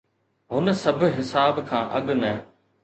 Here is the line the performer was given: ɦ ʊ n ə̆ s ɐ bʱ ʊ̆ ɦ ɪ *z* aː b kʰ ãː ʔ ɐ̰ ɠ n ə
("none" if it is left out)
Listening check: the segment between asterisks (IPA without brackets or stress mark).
s